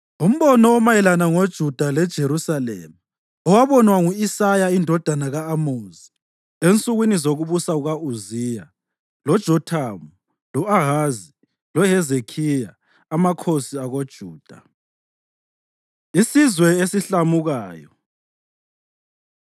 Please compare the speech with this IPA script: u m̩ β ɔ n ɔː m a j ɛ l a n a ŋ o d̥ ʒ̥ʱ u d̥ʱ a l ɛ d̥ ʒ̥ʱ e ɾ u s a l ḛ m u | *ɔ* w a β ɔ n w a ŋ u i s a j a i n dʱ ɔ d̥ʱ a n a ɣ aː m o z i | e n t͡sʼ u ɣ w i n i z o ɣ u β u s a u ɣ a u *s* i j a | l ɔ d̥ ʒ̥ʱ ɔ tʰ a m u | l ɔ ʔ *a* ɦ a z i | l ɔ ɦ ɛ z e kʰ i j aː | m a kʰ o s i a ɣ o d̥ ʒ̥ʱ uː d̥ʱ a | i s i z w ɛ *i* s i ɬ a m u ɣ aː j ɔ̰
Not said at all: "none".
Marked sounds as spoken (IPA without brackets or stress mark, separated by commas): ɔ, z, a, e